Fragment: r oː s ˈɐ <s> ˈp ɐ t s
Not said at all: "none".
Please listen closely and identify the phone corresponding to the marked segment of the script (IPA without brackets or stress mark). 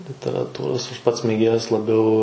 ʃ